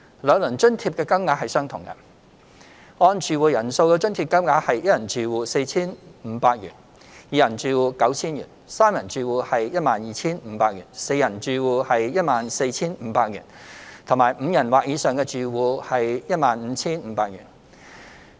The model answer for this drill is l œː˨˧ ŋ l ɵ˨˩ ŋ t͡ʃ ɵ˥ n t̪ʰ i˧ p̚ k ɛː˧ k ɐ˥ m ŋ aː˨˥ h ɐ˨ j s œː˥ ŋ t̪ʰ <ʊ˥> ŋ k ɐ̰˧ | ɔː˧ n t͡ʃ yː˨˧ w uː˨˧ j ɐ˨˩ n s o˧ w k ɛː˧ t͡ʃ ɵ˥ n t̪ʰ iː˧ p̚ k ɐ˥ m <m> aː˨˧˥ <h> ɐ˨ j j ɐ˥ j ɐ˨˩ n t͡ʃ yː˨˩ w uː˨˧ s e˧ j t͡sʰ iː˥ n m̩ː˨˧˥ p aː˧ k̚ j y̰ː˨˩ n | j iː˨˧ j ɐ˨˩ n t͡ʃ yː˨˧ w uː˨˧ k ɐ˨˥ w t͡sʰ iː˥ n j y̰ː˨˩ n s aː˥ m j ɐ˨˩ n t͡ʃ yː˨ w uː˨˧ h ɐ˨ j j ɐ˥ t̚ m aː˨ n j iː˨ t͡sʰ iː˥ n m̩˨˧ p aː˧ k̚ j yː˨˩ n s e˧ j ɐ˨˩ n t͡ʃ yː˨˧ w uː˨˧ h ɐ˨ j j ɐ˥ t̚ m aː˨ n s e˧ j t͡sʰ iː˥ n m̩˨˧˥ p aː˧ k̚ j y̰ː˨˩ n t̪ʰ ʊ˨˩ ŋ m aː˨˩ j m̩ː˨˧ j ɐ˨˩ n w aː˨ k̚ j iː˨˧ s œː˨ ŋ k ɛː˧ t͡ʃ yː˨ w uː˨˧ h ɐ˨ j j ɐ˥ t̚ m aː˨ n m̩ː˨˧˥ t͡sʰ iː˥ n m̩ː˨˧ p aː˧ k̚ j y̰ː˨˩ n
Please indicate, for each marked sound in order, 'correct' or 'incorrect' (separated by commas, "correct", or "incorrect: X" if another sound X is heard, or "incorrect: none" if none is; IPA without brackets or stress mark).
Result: incorrect: ʊ˨˩, incorrect: ŋ, correct